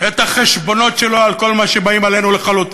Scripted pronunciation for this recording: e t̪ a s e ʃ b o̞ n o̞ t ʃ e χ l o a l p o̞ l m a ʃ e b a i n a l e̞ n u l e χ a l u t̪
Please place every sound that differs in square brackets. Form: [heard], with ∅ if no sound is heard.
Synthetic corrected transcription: e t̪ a [χ] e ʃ b o̞ n o̞ t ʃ e [∅] l o a l [k] o̞ l m a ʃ e b a i [m] a l e̞ n u l e χ a l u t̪